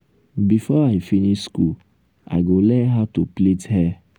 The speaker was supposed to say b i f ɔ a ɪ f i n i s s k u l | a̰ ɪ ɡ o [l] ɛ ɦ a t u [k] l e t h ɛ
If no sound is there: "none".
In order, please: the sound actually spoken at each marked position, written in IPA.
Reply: l, p

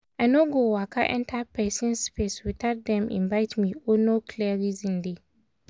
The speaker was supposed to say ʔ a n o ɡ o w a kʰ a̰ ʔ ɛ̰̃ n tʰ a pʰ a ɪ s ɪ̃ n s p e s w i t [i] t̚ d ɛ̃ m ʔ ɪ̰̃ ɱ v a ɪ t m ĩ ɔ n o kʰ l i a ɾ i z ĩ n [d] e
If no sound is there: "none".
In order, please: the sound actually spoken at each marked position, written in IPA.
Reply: a, d

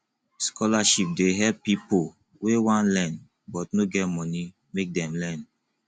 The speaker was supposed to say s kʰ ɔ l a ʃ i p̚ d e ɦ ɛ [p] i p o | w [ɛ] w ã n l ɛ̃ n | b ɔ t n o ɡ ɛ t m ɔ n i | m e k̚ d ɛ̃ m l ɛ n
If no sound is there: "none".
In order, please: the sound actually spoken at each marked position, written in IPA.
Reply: p, e

